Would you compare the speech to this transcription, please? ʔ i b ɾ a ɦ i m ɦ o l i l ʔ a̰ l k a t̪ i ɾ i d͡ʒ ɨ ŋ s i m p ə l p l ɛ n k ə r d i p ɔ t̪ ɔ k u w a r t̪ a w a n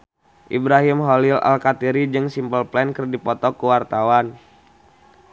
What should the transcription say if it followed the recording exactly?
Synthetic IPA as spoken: ʔ i b ɾ a ɦ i m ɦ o l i l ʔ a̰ l k a t̪ i ɾ i d͡ʒ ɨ ŋ s i m p ə l p l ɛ n k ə r d i p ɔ t̪ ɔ k u w a r t̪ a w a n